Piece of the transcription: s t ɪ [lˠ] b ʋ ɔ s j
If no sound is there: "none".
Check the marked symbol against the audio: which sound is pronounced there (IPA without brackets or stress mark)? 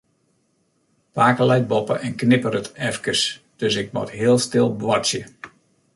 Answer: lˠ